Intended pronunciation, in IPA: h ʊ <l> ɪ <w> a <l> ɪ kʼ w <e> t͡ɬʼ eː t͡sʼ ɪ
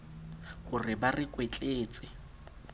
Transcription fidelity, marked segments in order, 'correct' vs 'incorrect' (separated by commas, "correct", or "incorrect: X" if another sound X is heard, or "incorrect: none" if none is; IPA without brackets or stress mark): incorrect: r, incorrect: b, incorrect: r, correct